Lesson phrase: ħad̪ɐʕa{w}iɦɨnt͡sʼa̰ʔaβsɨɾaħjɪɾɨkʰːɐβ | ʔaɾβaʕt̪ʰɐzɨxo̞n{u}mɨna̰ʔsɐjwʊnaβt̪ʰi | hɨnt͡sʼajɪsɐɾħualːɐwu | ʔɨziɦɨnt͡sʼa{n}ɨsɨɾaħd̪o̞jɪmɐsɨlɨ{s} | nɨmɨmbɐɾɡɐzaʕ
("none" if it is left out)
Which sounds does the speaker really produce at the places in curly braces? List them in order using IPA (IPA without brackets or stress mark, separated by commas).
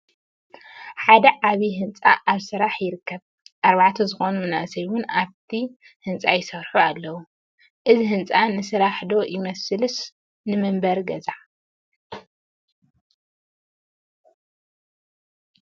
β, u, n, s